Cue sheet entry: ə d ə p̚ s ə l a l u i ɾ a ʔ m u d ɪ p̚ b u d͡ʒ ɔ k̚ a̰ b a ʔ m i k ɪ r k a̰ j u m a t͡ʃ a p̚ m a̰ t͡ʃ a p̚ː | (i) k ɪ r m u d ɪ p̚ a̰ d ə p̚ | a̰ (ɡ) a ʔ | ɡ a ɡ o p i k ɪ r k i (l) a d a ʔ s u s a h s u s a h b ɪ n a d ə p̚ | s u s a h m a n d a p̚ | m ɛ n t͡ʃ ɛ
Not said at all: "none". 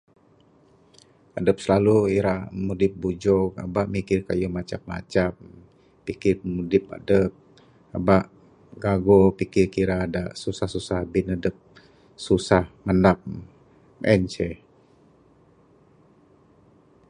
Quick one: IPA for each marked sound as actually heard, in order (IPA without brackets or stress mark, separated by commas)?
i, b, ɾ